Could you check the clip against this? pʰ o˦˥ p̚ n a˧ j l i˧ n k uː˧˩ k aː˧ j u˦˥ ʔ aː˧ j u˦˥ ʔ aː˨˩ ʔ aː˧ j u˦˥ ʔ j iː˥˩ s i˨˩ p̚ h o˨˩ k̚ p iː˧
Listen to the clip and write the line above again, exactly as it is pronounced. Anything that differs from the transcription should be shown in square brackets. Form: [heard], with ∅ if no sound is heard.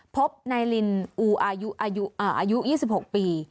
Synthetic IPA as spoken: pʰ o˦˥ p̚ n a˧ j l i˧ n [ʔ] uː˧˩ [ʔ] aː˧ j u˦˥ ʔ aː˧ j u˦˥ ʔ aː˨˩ ʔ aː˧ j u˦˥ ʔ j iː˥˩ s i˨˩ p̚ h o˨˩ k̚ p iː˧